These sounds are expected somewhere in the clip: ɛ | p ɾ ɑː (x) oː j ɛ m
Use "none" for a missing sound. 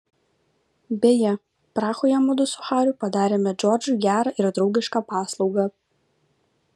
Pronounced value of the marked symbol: x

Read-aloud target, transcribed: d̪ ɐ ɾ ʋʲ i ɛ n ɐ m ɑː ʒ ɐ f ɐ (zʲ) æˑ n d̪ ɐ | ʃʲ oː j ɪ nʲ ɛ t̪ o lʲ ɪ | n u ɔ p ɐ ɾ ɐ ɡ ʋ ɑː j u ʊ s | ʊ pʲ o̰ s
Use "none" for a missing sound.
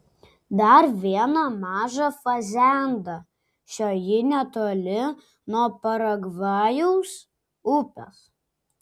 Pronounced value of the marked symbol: zʲ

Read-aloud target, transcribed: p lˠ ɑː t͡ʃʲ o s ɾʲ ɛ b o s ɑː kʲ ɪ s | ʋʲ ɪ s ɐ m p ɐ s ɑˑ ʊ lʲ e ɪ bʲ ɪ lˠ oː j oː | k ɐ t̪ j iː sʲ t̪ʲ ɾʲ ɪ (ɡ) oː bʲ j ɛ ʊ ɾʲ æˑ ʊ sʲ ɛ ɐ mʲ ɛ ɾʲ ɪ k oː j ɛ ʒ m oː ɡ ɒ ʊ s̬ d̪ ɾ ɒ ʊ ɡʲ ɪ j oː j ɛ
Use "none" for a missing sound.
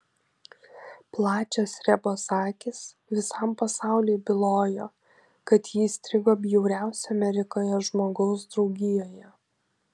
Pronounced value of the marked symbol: ɡ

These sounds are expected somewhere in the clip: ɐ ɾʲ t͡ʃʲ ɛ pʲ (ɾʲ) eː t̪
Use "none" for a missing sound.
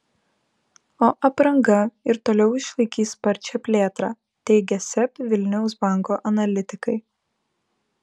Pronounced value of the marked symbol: lʲ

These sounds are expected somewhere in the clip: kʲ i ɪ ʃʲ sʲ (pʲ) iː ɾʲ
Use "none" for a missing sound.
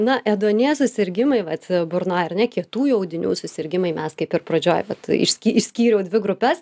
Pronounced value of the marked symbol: kʲ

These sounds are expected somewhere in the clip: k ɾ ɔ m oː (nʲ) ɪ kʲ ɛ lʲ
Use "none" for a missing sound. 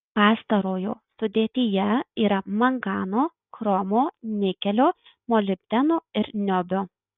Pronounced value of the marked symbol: nʲ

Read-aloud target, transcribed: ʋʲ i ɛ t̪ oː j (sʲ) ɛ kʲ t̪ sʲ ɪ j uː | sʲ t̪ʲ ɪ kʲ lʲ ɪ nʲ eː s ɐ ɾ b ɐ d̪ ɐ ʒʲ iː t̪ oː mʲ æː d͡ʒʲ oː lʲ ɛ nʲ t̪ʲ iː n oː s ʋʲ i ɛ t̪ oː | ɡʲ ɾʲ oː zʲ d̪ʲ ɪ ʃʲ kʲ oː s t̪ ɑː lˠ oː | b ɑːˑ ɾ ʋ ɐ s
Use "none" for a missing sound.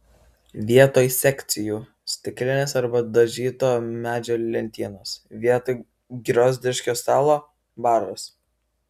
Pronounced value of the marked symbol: sʲ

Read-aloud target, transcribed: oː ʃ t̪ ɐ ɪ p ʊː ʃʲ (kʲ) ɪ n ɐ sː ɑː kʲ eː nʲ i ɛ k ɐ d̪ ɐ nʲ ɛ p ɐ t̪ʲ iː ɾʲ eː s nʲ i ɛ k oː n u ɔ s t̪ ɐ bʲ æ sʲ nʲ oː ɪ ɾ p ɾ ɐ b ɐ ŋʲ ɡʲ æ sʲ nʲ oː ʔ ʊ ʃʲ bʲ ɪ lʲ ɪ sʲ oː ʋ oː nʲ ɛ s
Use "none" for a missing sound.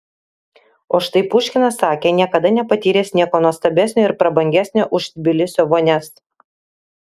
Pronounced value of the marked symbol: kʲ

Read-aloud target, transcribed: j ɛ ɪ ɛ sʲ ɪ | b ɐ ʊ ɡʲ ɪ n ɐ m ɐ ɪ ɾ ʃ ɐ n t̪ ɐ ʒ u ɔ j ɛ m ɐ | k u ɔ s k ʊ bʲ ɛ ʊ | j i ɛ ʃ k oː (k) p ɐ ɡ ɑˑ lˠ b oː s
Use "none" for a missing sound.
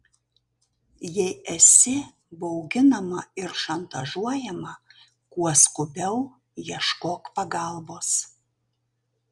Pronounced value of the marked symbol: k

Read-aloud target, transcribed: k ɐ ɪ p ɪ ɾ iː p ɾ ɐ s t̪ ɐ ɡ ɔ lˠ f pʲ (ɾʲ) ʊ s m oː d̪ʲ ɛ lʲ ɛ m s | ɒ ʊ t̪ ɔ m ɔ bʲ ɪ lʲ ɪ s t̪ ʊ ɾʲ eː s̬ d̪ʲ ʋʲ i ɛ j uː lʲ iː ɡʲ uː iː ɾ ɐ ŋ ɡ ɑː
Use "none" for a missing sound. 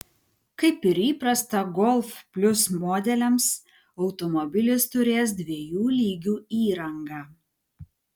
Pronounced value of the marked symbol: lʲ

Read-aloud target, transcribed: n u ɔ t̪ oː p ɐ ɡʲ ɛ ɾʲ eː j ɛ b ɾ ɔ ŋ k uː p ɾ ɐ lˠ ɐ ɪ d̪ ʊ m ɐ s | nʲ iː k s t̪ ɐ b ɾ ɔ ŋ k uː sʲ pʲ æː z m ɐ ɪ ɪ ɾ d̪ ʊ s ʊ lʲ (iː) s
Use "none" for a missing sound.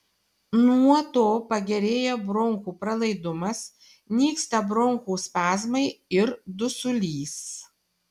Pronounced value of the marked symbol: iː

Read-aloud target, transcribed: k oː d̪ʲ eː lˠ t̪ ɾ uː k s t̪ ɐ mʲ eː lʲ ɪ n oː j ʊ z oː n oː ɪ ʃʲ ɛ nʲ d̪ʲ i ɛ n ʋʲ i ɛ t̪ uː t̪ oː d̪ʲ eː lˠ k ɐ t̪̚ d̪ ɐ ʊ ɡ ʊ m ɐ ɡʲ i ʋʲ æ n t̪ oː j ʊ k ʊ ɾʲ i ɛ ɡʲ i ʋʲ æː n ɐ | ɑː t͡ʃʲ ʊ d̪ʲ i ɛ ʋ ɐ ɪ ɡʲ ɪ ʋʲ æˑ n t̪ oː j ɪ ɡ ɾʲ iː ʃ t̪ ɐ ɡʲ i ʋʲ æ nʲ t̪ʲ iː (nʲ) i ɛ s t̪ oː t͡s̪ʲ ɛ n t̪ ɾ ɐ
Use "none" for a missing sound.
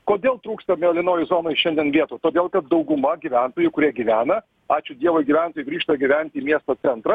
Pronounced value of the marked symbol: mʲ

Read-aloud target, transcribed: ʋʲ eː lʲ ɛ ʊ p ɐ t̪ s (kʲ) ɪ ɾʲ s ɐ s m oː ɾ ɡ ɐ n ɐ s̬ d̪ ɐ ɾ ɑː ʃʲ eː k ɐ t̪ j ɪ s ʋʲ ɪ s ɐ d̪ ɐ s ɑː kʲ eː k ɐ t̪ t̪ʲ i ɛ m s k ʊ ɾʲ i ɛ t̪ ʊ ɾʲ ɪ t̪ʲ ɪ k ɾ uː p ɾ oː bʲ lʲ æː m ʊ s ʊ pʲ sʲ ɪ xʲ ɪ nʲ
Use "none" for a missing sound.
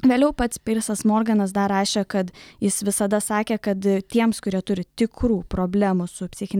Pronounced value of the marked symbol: pʲ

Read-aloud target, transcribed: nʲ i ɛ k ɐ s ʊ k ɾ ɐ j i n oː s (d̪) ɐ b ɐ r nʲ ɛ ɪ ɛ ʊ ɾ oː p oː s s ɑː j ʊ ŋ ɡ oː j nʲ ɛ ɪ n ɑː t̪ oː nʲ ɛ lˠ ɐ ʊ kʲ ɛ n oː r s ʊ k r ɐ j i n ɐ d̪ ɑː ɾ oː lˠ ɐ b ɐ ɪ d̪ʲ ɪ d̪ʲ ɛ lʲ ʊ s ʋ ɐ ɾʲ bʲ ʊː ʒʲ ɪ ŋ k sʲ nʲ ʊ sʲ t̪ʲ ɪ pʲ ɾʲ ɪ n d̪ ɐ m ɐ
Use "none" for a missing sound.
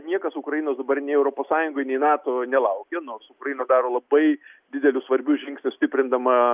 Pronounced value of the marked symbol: d̪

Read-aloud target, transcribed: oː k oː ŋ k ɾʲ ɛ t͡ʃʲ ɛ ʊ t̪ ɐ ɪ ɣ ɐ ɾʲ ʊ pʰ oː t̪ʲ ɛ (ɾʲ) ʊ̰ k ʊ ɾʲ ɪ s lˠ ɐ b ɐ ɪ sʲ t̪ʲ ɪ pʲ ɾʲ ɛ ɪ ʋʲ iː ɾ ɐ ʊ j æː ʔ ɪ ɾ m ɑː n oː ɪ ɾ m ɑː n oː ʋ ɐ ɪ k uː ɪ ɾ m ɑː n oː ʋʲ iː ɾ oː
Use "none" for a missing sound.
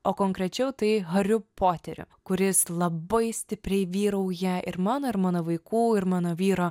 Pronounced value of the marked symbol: ɾʲ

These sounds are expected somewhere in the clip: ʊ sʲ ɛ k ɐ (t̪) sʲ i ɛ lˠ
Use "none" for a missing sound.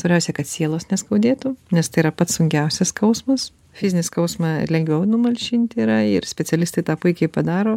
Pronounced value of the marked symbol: t̪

